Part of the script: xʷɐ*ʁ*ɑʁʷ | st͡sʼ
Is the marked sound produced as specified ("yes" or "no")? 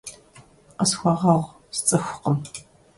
yes